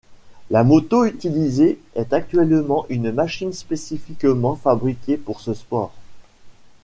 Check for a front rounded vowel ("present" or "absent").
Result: present